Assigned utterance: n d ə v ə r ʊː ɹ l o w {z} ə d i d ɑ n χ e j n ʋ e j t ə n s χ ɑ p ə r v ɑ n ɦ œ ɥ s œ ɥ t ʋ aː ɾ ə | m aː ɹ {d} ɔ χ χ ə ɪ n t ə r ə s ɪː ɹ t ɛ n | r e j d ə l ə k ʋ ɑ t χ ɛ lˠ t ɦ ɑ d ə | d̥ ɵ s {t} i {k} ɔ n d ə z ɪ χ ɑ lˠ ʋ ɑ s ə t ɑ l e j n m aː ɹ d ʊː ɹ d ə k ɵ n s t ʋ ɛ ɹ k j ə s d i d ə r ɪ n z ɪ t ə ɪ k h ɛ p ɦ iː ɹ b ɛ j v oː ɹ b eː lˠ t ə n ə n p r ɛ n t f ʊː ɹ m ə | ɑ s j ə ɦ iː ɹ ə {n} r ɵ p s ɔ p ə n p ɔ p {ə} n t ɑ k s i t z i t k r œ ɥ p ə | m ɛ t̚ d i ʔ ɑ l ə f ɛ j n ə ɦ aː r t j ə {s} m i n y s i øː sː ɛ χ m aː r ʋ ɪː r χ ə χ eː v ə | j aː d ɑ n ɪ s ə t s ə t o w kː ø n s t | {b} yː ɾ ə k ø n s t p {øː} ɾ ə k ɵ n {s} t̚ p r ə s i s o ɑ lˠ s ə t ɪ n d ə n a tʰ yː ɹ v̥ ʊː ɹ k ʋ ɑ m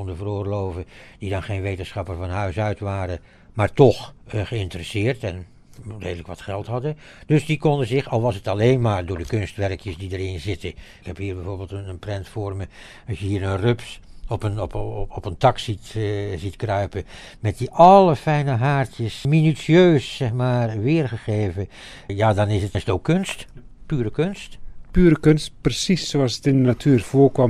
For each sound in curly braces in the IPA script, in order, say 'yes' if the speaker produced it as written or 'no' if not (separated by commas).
no, no, no, yes, yes, yes, yes, no, no, yes